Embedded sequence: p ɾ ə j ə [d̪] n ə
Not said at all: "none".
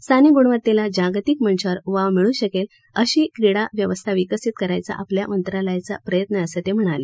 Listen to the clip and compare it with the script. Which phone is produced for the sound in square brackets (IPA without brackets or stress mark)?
t̪